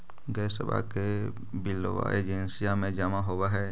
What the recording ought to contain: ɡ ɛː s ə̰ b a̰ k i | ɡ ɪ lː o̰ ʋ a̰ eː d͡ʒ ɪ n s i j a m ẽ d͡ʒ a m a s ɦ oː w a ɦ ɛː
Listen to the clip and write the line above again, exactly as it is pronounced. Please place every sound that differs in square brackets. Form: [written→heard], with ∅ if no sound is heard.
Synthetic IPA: ɡ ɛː s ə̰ b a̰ k [i→e] | [ɡ→b] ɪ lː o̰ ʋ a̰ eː d͡ʒ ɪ n s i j a m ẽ d͡ʒ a m a [s→∅] ɦ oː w a ɦ ɛː